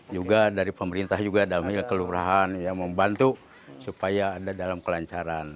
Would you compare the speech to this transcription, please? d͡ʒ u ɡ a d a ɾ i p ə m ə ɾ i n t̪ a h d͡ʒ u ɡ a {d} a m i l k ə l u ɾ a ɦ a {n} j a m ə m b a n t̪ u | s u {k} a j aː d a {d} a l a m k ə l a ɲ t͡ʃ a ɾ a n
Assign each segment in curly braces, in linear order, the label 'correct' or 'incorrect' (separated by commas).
correct, correct, incorrect, correct